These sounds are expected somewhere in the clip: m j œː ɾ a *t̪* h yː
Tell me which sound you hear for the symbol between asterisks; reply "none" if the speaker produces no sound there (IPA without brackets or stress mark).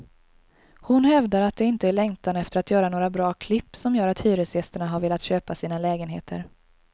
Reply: t̪